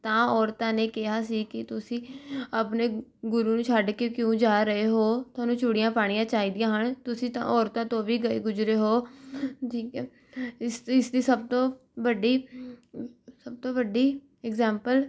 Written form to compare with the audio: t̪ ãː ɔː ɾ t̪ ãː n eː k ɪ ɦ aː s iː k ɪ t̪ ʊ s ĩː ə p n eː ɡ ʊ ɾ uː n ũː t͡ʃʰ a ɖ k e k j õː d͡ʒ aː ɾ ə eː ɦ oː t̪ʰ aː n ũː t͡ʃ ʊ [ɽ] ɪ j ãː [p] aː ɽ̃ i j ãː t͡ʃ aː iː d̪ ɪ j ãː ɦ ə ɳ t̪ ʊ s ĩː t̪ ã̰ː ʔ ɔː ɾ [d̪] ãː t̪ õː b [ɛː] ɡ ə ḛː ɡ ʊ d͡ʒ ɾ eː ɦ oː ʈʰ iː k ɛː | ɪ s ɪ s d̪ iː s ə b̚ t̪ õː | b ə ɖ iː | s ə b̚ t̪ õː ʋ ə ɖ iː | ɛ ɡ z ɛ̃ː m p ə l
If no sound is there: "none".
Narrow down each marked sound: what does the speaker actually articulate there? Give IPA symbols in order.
ɽ, p, t̪, iː

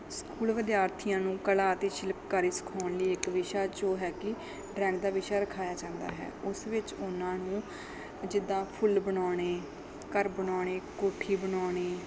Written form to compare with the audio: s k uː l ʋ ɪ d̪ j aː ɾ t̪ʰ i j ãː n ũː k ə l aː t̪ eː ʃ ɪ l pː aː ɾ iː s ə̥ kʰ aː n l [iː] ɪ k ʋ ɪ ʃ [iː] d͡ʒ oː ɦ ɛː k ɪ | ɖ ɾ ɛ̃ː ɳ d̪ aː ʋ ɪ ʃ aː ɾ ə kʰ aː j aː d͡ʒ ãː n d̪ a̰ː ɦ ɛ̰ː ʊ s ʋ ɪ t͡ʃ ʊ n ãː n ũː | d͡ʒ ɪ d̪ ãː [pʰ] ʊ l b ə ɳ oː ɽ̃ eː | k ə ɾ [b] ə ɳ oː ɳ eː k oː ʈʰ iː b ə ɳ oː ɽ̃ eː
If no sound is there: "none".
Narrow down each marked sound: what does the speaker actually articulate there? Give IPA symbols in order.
iː, aː, pʰ, b

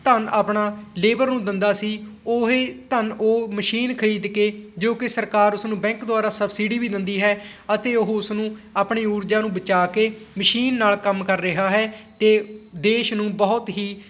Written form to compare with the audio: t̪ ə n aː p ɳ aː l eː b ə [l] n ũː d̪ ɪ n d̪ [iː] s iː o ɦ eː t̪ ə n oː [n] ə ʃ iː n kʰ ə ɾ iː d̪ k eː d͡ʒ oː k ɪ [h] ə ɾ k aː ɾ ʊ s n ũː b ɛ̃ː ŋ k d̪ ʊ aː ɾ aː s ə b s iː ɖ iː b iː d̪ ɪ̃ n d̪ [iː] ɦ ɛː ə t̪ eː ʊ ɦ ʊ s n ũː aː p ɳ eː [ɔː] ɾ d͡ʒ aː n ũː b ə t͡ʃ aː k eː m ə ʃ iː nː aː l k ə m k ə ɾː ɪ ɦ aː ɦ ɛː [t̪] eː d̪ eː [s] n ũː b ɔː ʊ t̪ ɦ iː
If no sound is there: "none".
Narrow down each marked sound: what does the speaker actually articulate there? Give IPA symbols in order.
ɾ, aː, m, s, iː, uː, t̪, ʃ

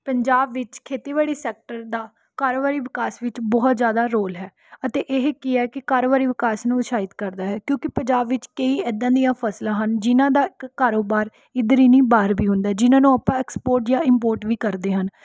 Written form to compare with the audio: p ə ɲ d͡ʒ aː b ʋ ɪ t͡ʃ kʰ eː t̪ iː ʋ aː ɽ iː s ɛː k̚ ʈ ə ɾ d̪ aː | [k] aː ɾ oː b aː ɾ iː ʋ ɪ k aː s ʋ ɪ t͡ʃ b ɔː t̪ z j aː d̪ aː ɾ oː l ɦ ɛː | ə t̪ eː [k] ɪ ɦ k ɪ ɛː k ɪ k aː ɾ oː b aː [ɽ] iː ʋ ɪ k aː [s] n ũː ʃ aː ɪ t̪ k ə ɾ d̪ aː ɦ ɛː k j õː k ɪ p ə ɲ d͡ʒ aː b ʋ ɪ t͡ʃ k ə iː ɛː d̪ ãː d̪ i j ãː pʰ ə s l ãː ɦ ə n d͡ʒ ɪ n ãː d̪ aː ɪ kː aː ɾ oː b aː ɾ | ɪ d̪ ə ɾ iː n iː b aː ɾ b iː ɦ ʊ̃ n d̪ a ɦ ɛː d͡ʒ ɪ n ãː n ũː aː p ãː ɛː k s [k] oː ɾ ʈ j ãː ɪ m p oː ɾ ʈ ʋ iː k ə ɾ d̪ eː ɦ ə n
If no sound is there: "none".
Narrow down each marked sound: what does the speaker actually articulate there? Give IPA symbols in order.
k, ʔ, ɾ, s, p

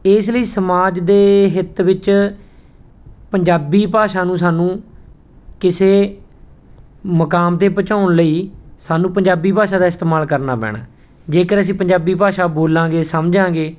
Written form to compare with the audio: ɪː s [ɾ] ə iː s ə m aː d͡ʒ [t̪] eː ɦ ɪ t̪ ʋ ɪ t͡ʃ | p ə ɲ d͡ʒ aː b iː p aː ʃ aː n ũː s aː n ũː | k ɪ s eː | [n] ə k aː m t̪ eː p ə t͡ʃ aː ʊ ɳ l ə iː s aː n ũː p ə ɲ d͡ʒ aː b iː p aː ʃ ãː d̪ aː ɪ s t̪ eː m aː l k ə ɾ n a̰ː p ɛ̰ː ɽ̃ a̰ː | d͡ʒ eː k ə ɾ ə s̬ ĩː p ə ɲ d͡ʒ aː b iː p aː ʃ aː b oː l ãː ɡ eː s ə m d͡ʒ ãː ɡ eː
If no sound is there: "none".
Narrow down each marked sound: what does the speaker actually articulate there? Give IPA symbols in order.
l, d̪, m

